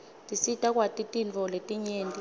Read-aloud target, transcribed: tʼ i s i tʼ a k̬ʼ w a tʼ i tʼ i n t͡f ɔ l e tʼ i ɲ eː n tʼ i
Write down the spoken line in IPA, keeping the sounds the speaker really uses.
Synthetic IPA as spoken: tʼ i s i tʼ a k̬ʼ w a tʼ i tʼ i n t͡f ɔ l e tʼ i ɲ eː n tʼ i